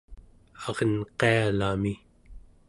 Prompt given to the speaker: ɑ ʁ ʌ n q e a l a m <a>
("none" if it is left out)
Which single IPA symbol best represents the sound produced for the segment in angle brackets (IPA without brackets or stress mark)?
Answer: i